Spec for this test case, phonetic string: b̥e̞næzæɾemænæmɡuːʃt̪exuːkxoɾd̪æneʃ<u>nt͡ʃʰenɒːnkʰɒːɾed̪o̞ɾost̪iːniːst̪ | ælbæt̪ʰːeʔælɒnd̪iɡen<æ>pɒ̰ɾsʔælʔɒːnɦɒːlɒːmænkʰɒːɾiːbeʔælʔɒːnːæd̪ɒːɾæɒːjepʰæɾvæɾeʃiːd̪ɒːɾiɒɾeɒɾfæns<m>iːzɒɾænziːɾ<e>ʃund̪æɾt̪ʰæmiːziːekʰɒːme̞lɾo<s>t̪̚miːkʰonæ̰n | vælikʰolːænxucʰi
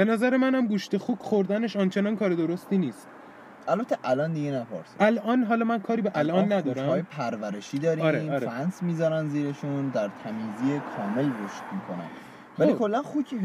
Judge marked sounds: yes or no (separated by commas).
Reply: no, yes, yes, yes, no